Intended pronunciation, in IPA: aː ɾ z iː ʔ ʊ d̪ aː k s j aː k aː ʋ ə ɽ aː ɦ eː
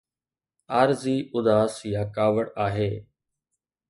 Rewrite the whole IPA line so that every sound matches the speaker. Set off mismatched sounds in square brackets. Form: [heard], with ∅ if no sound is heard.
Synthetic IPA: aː ɾ z iː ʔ ʊ d̪ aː [∅] s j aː k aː ʋ ə ɽ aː ɦ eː